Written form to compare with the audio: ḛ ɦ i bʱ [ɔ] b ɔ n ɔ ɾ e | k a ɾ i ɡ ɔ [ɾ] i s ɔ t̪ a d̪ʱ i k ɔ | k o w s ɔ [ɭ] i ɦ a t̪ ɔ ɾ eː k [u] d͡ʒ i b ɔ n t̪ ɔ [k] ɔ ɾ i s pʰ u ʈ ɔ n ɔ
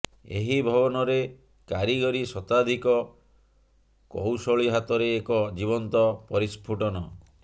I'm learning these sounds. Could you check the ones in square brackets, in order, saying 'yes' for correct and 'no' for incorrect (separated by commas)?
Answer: yes, yes, yes, no, no